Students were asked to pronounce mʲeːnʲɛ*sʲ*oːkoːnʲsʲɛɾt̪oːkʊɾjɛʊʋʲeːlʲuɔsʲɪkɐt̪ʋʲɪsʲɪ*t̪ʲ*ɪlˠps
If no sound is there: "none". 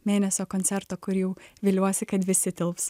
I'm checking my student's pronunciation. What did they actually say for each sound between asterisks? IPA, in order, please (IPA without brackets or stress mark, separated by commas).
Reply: sʲ, t̪ʲ